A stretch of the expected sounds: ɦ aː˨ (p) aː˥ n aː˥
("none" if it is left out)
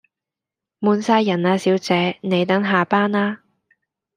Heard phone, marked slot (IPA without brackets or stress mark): p